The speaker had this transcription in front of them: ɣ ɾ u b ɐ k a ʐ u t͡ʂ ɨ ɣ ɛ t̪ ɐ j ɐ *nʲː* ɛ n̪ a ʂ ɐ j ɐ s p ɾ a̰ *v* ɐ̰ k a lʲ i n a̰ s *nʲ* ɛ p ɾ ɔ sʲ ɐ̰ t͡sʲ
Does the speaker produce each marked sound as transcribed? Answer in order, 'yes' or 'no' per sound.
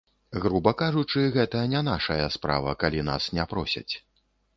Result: no, yes, yes

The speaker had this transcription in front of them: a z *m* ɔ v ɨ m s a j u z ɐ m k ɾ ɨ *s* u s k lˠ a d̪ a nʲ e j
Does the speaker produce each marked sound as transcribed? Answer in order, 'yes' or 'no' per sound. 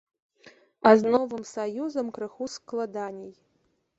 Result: no, no

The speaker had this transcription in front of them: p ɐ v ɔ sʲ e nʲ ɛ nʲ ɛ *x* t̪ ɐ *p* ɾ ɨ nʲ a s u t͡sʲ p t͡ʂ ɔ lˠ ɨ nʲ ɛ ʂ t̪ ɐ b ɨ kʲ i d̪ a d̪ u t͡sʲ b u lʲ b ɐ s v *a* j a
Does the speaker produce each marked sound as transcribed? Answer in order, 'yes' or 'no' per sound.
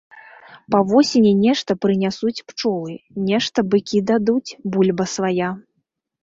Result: no, yes, yes

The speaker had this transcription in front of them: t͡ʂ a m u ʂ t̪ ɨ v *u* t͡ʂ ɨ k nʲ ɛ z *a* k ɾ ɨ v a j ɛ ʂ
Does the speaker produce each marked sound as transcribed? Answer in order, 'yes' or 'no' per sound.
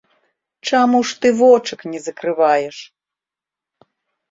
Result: no, no

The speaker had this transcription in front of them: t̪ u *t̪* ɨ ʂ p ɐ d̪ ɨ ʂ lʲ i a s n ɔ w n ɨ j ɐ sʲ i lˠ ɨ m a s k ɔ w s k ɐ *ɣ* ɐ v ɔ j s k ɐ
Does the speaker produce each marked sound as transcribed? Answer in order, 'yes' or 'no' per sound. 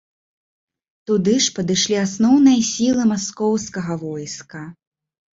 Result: no, yes

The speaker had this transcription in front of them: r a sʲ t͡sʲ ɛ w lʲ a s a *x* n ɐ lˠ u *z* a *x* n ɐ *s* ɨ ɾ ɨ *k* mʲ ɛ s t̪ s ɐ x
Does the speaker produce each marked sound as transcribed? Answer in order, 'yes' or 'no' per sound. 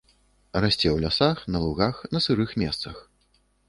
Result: yes, no, yes, yes, no

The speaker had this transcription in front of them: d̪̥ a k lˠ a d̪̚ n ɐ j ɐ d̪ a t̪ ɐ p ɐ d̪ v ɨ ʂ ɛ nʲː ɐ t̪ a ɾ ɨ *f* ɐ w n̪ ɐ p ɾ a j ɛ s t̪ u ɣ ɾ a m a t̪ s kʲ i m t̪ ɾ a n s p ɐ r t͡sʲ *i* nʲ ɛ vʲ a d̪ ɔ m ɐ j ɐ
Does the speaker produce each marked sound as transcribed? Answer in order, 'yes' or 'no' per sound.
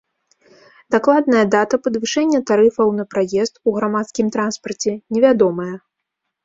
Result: yes, no

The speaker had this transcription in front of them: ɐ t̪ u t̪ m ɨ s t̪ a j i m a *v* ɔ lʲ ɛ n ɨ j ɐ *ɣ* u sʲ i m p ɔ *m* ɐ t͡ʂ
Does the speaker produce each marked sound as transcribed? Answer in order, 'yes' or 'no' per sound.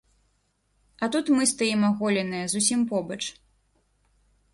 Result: no, no, no

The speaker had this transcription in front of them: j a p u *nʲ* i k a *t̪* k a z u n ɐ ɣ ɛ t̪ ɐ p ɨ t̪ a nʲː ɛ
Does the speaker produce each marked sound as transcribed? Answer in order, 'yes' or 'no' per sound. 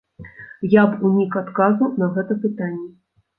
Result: yes, yes

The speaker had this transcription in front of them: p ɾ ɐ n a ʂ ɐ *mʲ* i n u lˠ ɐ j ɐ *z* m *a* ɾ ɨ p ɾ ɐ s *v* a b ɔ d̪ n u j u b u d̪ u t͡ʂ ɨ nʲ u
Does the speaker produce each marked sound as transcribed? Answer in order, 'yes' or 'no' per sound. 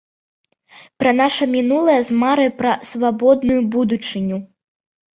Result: yes, yes, yes, yes

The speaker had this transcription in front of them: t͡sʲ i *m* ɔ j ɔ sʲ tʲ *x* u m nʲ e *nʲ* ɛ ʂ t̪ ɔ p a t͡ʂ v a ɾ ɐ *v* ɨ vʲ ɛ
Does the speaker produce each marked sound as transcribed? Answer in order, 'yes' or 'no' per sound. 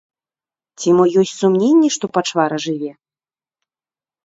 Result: yes, no, no, no

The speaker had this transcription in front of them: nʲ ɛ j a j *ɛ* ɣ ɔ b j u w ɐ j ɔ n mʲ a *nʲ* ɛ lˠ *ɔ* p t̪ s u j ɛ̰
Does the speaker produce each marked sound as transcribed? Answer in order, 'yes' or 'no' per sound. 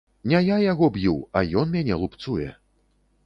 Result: no, yes, no

